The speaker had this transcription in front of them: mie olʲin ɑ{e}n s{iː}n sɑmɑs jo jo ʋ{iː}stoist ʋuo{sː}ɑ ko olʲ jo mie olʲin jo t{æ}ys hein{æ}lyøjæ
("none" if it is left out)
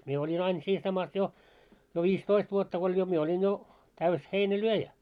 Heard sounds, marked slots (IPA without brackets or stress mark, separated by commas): i, iː, iː, tː, æ, æ